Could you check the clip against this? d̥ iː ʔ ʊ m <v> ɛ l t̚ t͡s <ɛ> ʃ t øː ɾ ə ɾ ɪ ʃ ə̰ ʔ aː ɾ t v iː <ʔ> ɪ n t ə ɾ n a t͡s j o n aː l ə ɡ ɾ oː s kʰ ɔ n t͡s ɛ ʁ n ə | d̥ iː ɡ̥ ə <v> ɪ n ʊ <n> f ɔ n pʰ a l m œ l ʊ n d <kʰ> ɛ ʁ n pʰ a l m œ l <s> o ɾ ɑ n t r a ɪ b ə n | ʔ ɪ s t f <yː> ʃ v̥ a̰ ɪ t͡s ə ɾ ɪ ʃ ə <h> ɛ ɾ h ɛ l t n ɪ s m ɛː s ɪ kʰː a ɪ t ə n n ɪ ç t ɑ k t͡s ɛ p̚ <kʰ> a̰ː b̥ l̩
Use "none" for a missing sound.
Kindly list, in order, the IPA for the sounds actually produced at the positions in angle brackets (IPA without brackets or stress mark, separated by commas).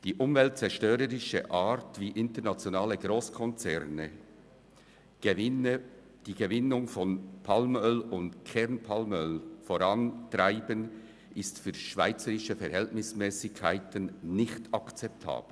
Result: v, ɛ, ʔ, v, ŋ, kʰ, f, yː, f, tʰ